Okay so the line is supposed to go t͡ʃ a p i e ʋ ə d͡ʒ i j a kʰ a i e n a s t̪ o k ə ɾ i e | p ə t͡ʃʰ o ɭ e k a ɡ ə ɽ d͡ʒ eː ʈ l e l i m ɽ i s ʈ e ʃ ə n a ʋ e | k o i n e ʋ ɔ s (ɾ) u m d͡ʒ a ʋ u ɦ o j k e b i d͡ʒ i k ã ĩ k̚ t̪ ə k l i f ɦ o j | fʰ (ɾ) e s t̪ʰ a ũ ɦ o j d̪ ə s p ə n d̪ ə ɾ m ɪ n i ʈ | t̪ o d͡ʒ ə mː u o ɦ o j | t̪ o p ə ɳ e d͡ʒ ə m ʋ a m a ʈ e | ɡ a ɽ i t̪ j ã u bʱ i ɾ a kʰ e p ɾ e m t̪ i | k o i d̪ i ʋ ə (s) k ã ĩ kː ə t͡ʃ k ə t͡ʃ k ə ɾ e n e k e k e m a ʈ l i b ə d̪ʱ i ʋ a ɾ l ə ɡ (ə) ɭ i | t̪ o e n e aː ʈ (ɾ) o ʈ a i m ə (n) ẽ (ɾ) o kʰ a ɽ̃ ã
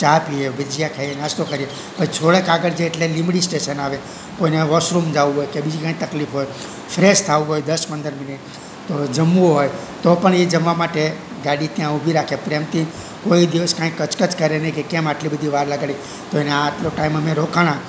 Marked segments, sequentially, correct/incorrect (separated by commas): correct, correct, correct, incorrect, incorrect, incorrect, correct